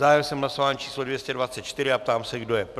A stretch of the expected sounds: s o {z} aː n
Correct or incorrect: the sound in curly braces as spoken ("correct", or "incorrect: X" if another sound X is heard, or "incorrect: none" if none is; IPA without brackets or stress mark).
incorrect: v